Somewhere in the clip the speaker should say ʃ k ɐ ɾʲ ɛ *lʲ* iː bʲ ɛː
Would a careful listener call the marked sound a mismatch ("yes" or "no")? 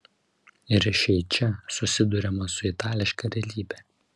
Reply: no